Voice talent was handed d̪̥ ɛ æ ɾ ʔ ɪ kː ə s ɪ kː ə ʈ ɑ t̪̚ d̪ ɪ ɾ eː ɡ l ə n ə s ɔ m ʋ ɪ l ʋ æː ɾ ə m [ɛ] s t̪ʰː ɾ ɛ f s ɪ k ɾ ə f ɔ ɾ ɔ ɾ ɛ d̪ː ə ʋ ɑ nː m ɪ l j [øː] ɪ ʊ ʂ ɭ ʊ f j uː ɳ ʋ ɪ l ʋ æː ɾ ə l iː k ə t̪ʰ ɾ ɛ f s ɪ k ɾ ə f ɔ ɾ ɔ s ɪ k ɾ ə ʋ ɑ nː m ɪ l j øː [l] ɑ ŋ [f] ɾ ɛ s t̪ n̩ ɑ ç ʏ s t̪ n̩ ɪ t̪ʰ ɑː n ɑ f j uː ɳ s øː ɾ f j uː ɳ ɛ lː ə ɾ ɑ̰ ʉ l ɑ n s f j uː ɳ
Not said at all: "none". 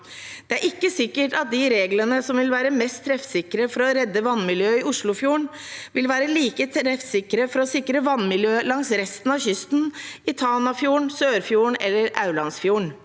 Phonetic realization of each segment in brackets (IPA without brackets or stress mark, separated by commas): ɛ, øː, l, s